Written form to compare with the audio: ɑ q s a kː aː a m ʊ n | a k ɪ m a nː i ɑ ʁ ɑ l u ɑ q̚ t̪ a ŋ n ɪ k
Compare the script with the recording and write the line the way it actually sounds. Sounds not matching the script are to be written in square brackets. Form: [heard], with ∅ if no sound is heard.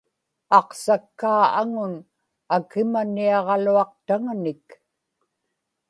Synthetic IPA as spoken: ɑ q s a kː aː a [ŋ] ʊ n | a k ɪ m a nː i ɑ ʁ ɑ l u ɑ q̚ t̪ a ŋ n ɪ k